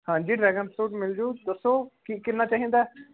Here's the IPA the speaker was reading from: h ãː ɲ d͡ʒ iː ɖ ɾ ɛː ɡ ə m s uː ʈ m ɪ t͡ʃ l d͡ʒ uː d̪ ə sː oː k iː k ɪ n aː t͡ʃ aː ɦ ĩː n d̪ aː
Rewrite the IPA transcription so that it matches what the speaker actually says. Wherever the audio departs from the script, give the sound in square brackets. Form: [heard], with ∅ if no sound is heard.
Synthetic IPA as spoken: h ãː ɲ d͡ʒ iː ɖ ɾ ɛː ɡ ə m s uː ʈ m ɪ [∅] l d͡ʒ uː d̪ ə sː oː k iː k ɪ n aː t͡ʃ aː ɦ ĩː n d̪ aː